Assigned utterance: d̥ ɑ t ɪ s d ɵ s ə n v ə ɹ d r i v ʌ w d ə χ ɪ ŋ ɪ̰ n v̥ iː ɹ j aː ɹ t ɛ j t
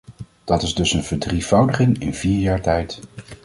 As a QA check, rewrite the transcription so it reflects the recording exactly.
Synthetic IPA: d̥ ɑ t ɪ z d ɵ s ə n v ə ɹ d r i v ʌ w d ə χ ɪ ŋ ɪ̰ n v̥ iː ɹ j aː ɹ t ɛ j t